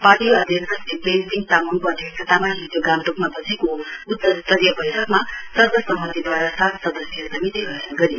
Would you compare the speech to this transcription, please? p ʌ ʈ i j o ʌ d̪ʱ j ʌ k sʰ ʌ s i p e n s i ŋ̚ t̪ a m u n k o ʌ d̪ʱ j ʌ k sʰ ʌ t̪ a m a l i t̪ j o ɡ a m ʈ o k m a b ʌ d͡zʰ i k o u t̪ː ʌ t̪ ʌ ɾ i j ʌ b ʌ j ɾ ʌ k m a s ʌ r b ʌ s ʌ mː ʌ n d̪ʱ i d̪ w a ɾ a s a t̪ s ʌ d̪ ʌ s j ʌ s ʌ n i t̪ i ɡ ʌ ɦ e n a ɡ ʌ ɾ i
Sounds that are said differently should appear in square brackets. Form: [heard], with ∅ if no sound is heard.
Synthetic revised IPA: p [a] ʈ i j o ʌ d̪ʱ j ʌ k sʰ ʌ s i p e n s i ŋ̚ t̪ a m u n k o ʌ d̪ʱ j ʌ k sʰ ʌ t̪ a m a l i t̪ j o ɡ a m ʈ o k m a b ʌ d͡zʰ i k o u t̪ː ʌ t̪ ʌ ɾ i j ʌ b ʌ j ɾ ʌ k m a s ʌ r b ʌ s ʌ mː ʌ n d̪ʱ i d̪ w a ɾ a s a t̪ s ʌ d̪ ʌ s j ʌ s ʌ [m] i t̪ i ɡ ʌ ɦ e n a ɡ ʌ ɾ i

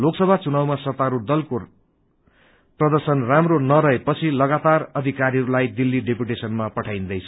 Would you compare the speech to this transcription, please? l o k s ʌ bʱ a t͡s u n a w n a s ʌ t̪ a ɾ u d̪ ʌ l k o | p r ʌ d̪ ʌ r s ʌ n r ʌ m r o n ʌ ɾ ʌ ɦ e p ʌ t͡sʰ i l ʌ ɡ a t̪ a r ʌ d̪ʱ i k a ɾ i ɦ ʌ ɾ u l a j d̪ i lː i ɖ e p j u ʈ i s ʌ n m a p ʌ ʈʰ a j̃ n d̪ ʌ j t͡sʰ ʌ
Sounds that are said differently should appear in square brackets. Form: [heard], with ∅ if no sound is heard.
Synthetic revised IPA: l o k s ʌ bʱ a t͡s u n a w [m] a s ʌ t̪ a ɾ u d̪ ʌ l k o | p r ʌ d̪ ʌ r s ʌ n r [a] m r o n ʌ ɾ ʌ ɦ e p ʌ t͡sʰ i l ʌ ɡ a t̪ a r ʌ d̪ʱ i k a ɾ i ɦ ʌ ɾ u l a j d̪ i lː i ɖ e p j u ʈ [e] s ʌ n m a p ʌ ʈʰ a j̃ n d̪ ʌ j t͡sʰ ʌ

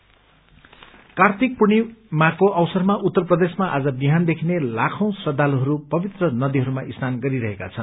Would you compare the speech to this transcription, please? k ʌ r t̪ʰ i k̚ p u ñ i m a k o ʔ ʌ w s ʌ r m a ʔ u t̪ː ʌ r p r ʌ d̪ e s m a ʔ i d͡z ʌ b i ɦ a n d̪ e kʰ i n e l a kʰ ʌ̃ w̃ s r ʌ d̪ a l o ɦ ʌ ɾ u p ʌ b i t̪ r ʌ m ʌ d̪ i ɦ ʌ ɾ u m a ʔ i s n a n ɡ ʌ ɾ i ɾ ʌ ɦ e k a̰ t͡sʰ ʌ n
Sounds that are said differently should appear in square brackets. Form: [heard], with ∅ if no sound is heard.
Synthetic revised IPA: k [a] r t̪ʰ i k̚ p u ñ i m a k o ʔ ʌ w s ʌ r m a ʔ u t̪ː ʌ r p r ʌ d̪ e s m a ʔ [a] d͡z ʌ b i ɦ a n d̪ e kʰ i n e l a kʰ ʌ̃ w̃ s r ʌ d̪ a l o ɦ ʌ ɾ u p ʌ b i t̪ r ʌ [n] ʌ d̪ i ɦ ʌ ɾ u m a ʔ i s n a n ɡ ʌ ɾ i ɾ ʌ ɦ e k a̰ t͡sʰ ʌ n

